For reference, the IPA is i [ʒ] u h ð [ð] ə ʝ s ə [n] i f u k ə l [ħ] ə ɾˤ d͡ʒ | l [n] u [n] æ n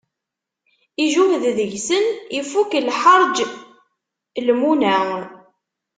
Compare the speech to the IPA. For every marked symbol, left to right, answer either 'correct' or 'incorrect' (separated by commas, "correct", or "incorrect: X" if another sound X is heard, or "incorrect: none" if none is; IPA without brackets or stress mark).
correct, correct, correct, correct, incorrect: m, correct